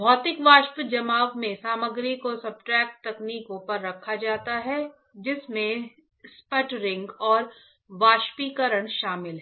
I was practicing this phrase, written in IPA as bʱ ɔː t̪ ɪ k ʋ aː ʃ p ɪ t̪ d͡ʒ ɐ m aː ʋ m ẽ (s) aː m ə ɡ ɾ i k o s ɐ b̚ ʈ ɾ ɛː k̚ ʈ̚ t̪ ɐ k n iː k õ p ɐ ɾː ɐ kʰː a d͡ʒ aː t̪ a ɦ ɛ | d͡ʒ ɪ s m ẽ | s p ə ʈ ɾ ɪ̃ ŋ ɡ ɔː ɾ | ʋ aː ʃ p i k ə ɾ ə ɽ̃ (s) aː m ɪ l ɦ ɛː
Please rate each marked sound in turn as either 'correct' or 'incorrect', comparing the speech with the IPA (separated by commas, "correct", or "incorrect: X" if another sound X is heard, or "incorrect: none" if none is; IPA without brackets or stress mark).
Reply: correct, incorrect: ʃ